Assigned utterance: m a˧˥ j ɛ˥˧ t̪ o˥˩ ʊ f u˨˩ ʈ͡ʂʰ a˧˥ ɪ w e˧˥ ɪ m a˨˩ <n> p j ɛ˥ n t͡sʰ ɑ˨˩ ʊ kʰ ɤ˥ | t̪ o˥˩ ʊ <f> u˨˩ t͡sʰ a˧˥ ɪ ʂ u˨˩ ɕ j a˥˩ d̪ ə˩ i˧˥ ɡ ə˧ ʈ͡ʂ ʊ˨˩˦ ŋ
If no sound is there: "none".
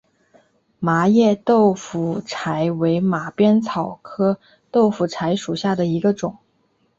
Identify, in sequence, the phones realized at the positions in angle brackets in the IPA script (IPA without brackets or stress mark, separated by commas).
none, f